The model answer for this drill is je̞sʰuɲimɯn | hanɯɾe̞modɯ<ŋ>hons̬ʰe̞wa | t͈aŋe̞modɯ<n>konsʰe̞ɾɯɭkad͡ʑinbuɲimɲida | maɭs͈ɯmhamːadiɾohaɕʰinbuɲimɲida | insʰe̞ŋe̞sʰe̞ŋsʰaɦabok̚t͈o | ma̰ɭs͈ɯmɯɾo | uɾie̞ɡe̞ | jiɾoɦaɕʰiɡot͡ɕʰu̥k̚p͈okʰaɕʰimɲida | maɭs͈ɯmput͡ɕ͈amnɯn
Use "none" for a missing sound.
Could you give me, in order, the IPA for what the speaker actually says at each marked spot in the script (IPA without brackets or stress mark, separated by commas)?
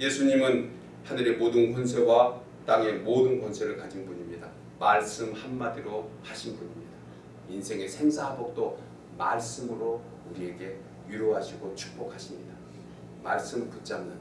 n, n